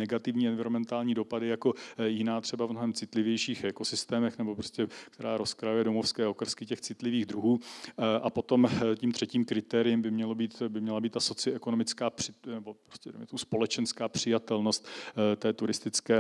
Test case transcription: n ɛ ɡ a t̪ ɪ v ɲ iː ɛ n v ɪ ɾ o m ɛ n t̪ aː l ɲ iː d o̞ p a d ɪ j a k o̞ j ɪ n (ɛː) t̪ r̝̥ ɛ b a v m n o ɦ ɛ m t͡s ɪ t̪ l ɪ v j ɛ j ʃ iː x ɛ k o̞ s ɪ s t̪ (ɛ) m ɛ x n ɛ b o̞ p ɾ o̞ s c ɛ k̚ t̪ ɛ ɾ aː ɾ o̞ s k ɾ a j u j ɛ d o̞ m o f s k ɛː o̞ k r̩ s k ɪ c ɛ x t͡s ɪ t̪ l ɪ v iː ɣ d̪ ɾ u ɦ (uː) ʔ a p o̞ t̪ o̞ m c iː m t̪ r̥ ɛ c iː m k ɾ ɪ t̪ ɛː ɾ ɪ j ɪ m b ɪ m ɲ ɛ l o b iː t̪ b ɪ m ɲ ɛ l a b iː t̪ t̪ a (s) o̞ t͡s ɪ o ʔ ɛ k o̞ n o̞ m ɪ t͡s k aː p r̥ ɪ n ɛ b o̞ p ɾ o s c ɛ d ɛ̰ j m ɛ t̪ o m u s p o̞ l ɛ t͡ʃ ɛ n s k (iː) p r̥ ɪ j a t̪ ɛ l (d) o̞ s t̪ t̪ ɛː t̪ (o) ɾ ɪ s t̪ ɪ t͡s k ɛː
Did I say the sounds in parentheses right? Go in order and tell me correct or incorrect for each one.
incorrect: aː, incorrect: ɛː, correct, correct, incorrect: aː, incorrect: n, incorrect: u

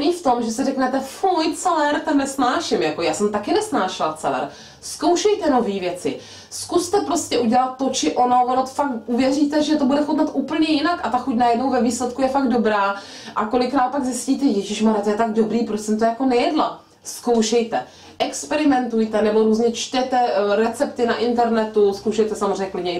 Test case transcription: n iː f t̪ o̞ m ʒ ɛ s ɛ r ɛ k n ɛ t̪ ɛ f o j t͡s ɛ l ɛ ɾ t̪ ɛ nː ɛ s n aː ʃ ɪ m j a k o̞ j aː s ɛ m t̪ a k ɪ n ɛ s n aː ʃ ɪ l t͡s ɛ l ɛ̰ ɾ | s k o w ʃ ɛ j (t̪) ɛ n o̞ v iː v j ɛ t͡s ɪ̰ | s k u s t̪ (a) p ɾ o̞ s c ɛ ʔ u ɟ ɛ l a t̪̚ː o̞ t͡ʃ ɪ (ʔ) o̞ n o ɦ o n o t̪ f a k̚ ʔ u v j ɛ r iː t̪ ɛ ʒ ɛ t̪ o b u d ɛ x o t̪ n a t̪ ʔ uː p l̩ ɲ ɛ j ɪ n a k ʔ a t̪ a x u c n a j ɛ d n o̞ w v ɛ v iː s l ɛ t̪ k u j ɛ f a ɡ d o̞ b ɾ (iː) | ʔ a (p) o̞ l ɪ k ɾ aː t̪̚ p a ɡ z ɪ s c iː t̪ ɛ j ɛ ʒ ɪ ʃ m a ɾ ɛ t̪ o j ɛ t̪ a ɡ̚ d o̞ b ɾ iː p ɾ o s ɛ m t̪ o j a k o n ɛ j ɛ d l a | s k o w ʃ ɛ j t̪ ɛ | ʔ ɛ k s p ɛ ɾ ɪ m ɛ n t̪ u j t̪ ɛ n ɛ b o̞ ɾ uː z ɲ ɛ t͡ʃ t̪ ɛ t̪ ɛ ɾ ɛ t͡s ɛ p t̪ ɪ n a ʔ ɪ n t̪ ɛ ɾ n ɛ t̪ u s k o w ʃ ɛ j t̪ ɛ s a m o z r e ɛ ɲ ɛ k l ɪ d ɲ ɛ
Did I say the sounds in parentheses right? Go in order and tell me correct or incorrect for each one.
correct, incorrect: ɛ, correct, incorrect: aː, incorrect: k

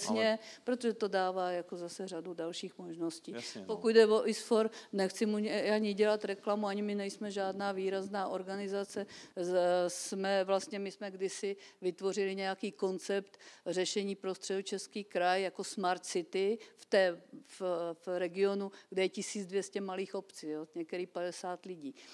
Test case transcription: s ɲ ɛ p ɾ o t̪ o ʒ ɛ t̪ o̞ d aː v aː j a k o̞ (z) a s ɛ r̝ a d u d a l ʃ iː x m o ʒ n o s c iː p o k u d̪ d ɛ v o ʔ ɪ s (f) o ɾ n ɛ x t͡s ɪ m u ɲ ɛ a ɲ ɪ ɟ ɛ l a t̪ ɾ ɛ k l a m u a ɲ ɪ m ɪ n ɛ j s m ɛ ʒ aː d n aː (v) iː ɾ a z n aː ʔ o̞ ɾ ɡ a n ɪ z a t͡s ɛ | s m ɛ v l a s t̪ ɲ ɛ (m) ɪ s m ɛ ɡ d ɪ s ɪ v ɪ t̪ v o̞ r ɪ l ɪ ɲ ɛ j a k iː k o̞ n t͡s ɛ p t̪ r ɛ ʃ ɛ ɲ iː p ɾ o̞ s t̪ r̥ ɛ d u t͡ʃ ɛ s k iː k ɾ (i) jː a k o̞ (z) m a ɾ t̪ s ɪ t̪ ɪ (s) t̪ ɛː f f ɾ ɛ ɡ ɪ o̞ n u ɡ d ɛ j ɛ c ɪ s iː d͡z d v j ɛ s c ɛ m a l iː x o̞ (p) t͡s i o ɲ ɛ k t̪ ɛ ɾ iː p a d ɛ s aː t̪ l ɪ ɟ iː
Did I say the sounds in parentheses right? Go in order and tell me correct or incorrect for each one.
correct, correct, correct, correct, incorrect: a, incorrect: s, incorrect: f, correct

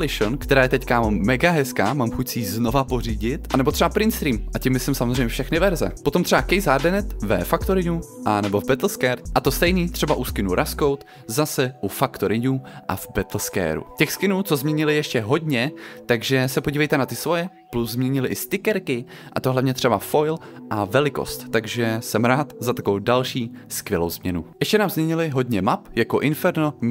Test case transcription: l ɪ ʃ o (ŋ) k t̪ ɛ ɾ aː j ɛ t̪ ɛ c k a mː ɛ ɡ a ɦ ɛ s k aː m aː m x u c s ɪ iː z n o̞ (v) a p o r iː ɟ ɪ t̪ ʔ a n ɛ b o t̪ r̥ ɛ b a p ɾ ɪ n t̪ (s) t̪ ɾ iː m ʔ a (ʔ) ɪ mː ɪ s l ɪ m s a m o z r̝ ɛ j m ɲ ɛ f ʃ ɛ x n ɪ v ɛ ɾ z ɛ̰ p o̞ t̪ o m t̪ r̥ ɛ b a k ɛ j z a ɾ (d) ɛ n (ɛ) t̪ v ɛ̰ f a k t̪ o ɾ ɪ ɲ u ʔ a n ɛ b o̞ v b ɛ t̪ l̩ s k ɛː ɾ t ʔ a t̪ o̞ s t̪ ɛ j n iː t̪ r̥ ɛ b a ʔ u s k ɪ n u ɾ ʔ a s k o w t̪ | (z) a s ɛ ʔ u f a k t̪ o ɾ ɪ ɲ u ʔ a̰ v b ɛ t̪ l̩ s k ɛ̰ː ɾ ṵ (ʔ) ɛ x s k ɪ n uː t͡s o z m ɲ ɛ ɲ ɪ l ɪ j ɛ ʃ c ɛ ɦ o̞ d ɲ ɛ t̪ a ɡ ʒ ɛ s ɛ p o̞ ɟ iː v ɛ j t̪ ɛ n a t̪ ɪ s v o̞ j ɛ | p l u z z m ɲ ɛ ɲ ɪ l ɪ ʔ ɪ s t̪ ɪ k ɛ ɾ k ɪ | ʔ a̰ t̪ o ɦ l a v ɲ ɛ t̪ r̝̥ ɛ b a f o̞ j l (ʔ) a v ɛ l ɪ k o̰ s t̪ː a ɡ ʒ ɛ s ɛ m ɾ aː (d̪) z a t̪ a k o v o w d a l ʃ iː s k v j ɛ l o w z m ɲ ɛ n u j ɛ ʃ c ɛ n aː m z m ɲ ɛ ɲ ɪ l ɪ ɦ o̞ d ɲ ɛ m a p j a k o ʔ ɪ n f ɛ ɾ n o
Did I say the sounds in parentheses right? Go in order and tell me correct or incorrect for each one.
incorrect: n, correct, correct, incorrect: c, correct, correct, correct, incorrect: c, correct, incorrect: t̪

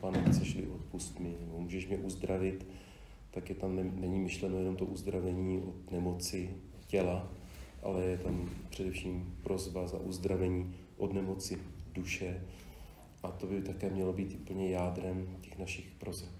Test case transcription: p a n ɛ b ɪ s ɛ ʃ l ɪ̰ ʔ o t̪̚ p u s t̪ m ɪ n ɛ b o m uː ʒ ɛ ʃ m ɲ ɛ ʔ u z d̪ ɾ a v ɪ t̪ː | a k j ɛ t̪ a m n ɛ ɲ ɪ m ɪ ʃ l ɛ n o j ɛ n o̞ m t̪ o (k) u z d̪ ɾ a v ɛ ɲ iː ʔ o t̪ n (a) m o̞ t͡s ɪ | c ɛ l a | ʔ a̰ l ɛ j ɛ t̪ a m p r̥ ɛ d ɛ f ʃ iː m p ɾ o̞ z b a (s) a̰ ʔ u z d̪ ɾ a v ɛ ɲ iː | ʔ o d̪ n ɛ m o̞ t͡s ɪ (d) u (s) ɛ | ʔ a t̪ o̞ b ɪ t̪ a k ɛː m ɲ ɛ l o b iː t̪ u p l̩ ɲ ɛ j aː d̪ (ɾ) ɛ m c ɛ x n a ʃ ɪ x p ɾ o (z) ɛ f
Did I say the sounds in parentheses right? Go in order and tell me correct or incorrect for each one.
incorrect: ʔ, incorrect: ɛ, incorrect: z, correct, incorrect: ʃ, correct, correct

